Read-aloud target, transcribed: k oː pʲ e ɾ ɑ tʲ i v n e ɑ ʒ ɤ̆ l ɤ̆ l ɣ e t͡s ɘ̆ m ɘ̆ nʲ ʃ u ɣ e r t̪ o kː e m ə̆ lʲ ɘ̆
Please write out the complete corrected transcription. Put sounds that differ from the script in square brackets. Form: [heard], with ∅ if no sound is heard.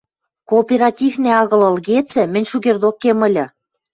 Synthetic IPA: k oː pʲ e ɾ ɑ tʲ i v n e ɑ [ɣ] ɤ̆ l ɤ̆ l ɣ e t͡s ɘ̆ m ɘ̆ nʲ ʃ u ɣ e r [d̪] o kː e m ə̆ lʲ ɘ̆